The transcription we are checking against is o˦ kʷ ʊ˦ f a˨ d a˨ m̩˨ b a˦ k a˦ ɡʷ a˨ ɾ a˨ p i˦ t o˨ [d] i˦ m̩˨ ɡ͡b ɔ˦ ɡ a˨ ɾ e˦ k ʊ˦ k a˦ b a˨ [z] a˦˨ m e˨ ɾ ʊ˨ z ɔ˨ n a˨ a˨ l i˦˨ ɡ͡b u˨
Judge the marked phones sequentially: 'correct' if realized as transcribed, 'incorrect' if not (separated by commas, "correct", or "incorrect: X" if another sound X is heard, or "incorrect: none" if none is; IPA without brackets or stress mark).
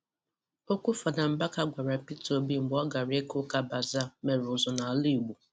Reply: incorrect: b, correct